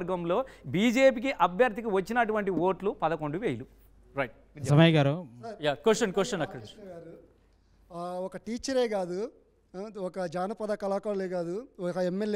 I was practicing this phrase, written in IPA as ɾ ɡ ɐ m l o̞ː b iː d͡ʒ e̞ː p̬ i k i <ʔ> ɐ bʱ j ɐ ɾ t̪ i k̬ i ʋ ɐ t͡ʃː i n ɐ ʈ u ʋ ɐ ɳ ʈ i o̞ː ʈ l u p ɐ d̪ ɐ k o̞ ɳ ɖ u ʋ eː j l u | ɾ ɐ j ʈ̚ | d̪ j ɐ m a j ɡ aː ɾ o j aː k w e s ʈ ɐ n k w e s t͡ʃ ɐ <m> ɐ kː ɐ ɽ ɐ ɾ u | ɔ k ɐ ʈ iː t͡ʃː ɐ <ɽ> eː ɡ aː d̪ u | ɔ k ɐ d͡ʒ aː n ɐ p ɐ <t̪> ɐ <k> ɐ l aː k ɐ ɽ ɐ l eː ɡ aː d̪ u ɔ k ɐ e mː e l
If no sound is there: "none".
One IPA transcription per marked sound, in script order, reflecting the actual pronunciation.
ʔ, n, ɾ, d̪, k

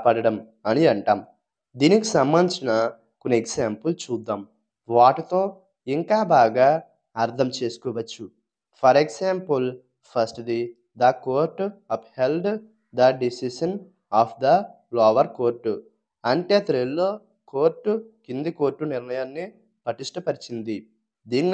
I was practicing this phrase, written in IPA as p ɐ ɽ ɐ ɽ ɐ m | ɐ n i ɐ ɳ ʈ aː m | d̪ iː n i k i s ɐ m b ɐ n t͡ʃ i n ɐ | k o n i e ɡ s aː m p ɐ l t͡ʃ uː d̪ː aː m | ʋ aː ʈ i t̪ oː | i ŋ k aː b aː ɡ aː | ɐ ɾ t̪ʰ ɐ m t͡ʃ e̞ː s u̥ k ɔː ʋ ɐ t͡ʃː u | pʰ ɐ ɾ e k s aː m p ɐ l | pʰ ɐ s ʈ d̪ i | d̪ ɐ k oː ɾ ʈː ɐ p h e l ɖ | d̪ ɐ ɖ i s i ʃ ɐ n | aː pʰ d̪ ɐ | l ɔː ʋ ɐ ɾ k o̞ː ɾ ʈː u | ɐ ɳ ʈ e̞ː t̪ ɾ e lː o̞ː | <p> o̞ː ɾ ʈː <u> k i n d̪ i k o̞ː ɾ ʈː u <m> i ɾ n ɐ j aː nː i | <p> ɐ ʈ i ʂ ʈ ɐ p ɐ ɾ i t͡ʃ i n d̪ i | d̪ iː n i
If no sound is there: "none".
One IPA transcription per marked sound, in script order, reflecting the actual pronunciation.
k, u, n, p

